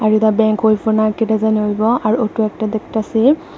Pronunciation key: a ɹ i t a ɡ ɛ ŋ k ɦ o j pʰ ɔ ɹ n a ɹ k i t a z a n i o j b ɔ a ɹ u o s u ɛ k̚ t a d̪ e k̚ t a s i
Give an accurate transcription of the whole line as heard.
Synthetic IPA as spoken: a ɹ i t a b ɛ ŋ k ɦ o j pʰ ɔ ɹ n a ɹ k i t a z a n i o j b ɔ a ɹ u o t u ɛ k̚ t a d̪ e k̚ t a s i

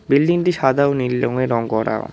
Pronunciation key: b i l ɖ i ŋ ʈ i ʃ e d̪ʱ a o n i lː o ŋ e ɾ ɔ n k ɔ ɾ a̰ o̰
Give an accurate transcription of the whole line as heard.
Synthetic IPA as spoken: b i l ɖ i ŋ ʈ i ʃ a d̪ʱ a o n i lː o ŋ e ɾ ɔ ŋ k ɔ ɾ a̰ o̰

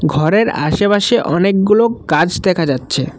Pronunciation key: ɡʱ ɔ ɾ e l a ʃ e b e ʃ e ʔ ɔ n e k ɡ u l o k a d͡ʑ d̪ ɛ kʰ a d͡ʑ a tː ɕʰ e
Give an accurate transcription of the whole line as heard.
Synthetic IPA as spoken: ɡʱ ɔ ɾ e ɾ a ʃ e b a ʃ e ʔ ɔ n e k ɡ u l o k a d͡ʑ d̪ ɛ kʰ a d͡ʑ a tː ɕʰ e

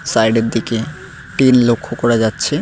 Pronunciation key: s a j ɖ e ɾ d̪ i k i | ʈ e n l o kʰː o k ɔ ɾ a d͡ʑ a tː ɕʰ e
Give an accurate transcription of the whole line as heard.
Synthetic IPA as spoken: s a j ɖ e ɾ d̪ i k e | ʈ i n l o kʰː o k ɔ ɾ a d͡ʑ a tː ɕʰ e

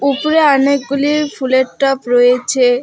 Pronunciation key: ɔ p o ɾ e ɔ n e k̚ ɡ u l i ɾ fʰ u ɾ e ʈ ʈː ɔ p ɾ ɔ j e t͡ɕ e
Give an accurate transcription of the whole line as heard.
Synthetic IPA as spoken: u p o ɾ e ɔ n e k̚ ɡ u l i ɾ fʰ u l e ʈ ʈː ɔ p ɾ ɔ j e t͡ɕʰ e

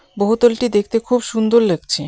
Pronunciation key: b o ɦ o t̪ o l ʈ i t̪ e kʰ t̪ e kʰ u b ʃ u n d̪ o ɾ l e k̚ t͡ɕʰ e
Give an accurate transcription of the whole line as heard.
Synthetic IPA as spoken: b o ɦ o t̪ o l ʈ i d̪ e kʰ t̪ e kʰ u b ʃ u n d̪ o ɾ l e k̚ t͡ɕʰ e

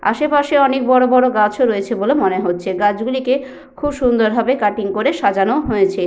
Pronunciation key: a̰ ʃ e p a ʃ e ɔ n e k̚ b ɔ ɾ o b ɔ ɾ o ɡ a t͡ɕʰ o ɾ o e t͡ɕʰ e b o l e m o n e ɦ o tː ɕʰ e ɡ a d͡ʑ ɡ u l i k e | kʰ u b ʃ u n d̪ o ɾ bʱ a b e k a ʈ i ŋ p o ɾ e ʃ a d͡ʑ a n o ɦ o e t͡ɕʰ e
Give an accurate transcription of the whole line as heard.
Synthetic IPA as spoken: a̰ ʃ e p a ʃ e ɔ n e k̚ b ɔ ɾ o b ɔ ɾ o ɡ a t͡ɕʰ o ɾ o e t͡ɕʰ e b o l e m o n e ɦ o tː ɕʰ e ɡ a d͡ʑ ɡ u l i k e | kʰ u b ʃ u n d̪ o ɾ bʱ a b e k a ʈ i ŋ k o ɾ e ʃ a d͡ʑ a n o ɦ o e t͡ɕʰ e

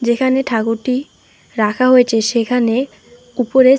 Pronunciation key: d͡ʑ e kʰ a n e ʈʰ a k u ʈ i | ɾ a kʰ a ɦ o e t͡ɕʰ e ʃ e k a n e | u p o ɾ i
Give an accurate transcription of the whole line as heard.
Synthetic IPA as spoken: d͡ʑ e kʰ a n e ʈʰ a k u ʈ i | ɾ a kʰ a ɦ o e t͡ɕʰ e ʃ e kʰ a n e | u p o ɾ e

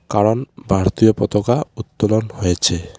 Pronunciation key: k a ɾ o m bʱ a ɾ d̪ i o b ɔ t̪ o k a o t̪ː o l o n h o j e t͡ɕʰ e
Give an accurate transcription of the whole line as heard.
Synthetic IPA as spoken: k a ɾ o n bʱ a ɾ t̪ i o p ɔ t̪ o k a u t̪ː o l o n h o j e t͡ɕʰ e

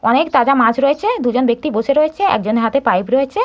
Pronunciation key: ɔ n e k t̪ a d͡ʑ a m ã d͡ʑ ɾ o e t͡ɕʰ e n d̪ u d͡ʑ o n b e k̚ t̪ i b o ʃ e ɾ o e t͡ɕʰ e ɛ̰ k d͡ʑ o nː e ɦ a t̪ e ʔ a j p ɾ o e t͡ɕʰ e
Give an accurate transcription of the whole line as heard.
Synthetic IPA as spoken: ɔ n e k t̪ a d͡ʑ a m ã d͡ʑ ɾ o e t͡ɕʰ e d̪ u d͡ʑ o n b e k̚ t̪ i b o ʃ e ɾ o e t͡ɕʰ e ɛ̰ k d͡ʑ o n e ɦ a t̪ e p a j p ɾ o e t͡ɕʰ e

